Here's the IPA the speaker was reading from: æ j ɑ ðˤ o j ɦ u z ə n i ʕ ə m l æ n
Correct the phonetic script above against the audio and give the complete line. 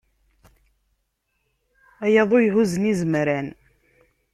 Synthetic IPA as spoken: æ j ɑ ðˤ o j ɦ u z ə n i z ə m ɾ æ n